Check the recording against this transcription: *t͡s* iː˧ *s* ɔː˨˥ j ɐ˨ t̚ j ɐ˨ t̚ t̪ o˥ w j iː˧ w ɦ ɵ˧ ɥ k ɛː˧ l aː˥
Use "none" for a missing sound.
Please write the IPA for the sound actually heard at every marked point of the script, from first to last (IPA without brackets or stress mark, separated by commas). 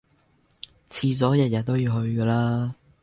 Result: t͡sʰ, t͡s